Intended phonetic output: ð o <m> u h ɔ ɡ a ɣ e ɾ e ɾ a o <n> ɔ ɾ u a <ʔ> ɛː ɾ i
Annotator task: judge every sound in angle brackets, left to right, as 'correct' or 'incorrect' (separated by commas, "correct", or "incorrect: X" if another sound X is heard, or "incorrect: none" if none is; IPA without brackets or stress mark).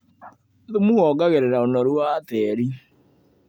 correct, correct, incorrect: t